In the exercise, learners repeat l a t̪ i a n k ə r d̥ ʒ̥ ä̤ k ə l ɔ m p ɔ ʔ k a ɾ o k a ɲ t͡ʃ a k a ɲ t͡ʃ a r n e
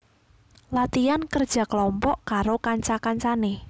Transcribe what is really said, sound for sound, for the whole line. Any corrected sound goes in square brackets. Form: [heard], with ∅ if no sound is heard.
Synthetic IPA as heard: l a t̪ i a n k ə r d̥ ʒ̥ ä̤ k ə l ɔ m p ɔ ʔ k a ɾ o k a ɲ t͡ʃ a k a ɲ t͡ʃ a [∅] n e